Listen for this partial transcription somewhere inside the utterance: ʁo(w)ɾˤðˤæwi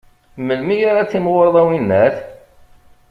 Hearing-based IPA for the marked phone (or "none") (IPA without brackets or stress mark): none